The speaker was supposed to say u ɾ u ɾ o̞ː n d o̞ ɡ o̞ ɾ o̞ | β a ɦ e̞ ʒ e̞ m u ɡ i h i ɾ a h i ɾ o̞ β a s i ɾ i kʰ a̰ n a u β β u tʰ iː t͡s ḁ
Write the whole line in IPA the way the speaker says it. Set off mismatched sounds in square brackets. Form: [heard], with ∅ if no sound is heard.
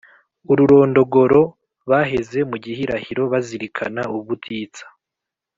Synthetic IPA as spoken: u ɾ u ɾ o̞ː n d o̞ ɡ o̞ ɾ o̞ | β a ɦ e̞ [z] e̞ m u [ɟ] i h i ɾ a h i ɾ o̞ β a [z] i ɾ i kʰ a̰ n a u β β u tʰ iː t͡s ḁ